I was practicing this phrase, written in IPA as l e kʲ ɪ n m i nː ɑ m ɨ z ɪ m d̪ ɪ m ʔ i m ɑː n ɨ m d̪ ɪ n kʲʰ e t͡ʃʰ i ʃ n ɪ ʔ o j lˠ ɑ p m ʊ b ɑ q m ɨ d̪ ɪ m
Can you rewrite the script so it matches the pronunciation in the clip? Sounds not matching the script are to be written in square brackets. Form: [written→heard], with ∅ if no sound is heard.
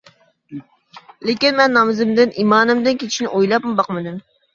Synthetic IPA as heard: l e kʲ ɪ n m [i→ɛ] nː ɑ m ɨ z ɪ m d̪ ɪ [m→n] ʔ i m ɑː n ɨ m d̪ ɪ n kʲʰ e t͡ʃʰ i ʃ n ɪ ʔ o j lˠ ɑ p m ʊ b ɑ q m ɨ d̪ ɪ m

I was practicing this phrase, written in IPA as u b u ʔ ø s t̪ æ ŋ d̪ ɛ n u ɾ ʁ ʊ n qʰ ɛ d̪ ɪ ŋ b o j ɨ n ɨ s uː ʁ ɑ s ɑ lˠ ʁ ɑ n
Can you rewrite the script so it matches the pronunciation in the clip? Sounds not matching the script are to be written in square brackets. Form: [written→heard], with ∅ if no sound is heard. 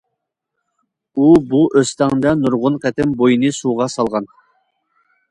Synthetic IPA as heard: u b u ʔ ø s t̪ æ ŋ d̪ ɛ n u ɾ ʁ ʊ n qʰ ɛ [d̪→t̪] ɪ [ŋ→m] b o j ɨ n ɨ s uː ʁ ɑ s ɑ lˠ ʁ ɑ n

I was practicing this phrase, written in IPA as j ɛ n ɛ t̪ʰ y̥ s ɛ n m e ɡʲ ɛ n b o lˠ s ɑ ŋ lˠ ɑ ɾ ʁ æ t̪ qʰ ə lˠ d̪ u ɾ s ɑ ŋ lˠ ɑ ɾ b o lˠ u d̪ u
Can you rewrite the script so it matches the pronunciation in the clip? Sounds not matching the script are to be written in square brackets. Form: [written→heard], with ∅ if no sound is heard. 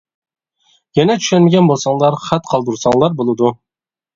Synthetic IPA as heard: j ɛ n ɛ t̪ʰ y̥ [s→ʃ] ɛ n m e ɡʲ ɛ n b o lˠ s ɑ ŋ lˠ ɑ ɾ [ʁ→χ] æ t̪ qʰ [ə→ɑ] lˠ d̪ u ɾ s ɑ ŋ lˠ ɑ ɾ b o lˠ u d̪ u

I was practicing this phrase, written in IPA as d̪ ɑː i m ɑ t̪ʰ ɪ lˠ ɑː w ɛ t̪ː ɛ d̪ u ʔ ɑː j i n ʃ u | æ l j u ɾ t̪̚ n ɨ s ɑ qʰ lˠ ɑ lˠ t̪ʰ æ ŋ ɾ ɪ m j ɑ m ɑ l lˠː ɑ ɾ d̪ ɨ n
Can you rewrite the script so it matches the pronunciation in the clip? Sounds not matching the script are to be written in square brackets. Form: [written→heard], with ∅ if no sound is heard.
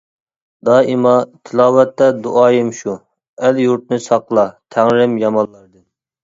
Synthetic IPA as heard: d̪ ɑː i m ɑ t̪ʰ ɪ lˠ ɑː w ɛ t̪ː ɛ d̪ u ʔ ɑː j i [n→m] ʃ u | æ l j u ɾ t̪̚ n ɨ s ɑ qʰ lˠ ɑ [lˠ→∅] t̪ʰ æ ŋ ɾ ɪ m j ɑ m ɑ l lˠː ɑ ɾ d̪ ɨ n

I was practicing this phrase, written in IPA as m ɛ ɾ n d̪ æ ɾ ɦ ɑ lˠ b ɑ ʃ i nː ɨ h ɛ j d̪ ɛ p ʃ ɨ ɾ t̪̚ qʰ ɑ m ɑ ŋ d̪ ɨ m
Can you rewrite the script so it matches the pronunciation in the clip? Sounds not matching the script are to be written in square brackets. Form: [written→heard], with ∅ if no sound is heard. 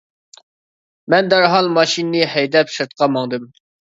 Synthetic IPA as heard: m ɛ [ɾ→∅] n d̪ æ ɾ ɦ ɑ lˠ [b→m] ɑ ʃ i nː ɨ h ɛ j d̪ ɛ p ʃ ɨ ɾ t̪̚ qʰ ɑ m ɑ ŋ d̪ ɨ m

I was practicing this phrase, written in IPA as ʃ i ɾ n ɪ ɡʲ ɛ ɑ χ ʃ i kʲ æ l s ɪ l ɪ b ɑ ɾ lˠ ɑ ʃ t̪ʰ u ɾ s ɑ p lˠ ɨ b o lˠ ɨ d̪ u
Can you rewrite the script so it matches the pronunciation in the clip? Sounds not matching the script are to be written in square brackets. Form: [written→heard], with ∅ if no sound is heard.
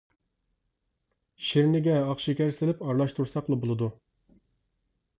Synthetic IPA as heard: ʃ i ɾ n ɪ ɡʲ ɛ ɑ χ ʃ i kʲ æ [l→ɾ] s ɪ l ɪ [b→p] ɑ ɾ lˠ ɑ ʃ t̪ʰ u ɾ s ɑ [p→q] lˠ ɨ b o lˠ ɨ d̪ u

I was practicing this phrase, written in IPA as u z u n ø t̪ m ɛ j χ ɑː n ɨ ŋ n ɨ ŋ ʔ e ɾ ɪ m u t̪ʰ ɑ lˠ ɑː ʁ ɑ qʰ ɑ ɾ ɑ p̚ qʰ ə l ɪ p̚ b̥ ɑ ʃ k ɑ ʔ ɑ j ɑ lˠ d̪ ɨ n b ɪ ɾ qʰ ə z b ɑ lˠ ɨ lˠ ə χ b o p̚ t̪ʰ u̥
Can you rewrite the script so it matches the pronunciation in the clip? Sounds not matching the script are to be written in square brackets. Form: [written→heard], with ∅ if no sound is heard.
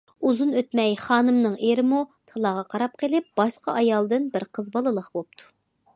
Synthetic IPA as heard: u z u n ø t̪ m ɛ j χ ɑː n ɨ [ŋ→m] n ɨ ŋ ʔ e ɾ ɪ m u t̪ʰ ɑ lˠ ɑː ʁ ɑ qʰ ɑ ɾ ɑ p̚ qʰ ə l ɪ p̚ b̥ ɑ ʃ [k→q] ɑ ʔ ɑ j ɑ lˠ d̪ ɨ n b ɪ ɾ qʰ ə z b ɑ lˠ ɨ lˠ ə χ b o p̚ t̪ʰ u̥

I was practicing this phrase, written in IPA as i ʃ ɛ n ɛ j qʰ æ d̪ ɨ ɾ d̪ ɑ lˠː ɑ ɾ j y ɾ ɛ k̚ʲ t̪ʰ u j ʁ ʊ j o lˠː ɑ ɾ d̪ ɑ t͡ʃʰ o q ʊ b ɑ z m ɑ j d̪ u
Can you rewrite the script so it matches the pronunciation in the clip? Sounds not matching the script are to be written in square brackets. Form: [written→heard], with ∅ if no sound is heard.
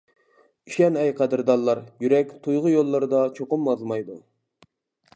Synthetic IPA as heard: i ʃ ɛ n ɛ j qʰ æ d̪ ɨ ɾ d̪ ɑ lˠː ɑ ɾ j y ɾ ɛ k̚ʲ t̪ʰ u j ʁ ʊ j o lˠː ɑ ɾ d̪ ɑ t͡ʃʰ o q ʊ [b→m] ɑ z m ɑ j d̪ u

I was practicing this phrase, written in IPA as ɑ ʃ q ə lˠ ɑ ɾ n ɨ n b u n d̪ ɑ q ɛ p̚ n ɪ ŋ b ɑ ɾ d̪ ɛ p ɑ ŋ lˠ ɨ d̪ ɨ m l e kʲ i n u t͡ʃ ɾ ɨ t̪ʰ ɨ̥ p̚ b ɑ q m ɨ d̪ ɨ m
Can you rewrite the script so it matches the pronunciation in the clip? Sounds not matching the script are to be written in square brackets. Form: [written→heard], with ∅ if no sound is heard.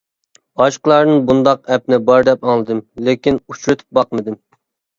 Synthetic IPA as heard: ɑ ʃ q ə lˠ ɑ ɾ n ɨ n b u n d̪ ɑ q ɛ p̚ n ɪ [ŋ→∅] b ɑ ɾ d̪ ɛ p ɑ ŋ lˠ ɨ d̪ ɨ m l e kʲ i n u t͡ʃ ɾ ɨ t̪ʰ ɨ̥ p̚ b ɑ q m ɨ d̪ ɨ m

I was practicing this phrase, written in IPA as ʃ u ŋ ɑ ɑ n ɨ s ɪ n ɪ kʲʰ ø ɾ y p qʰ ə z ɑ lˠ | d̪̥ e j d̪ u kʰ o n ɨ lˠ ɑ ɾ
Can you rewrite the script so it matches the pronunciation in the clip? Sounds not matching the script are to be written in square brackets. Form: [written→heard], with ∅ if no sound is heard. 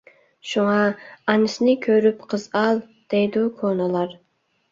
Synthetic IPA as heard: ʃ u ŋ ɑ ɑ n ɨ s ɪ n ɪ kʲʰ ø ɾ y p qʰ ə z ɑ lˠ | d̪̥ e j d̪ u kʰ o n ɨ lˠ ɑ ɾ

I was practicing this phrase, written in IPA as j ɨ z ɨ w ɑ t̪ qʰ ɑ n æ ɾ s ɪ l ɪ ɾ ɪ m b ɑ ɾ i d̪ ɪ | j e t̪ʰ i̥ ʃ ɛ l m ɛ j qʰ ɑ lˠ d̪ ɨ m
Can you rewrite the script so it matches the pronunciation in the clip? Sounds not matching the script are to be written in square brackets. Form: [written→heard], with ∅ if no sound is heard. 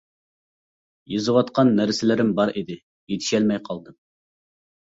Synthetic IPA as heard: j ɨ z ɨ w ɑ t̪ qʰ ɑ [n→nː] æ ɾ s ɪ l ɪ ɾ ɪ m b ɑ ɾ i d̪ ɪ | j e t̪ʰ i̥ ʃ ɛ l m ɛ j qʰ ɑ lˠ d̪ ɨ m

